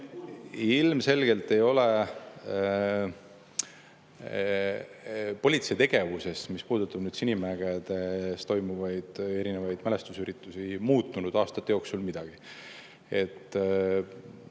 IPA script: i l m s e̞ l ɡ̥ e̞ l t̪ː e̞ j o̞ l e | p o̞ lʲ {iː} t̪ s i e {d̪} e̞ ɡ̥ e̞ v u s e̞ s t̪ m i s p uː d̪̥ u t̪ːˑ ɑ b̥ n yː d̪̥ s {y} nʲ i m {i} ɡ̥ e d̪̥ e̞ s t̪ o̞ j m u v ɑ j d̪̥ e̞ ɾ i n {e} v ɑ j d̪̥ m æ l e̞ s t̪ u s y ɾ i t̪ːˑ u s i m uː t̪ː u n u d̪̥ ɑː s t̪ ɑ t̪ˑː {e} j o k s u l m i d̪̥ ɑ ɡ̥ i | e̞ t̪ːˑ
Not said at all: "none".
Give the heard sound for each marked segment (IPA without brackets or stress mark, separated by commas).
i, t̪, i, æ, e, e